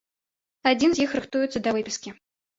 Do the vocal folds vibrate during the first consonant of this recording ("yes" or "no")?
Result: yes